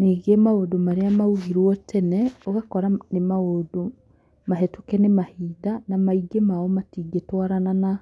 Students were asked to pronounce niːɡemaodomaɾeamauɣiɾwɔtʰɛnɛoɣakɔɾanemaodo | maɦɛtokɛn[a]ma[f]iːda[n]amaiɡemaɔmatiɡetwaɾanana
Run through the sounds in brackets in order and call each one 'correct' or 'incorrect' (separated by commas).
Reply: incorrect, incorrect, correct